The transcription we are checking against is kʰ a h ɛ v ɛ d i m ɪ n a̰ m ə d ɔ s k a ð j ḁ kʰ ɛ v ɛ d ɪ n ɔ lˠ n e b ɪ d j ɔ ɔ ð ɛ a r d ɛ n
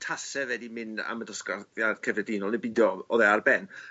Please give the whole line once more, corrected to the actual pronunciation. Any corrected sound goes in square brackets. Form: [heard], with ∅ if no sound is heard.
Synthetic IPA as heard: [tʰ] a [s] ɛ v ɛ d i m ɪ n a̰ m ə d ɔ s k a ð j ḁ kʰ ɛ v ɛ d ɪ n ɔ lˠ n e b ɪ d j ɔ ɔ ð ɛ a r [b] ɛ n